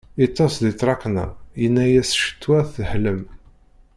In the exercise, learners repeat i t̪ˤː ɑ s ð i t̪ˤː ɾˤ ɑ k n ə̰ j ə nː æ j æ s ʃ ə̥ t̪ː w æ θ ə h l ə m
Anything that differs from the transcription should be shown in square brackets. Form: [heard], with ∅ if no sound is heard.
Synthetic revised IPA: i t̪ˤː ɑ s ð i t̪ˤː ɾˤ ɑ k n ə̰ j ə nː æ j æ s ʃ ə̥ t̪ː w æ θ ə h l ə m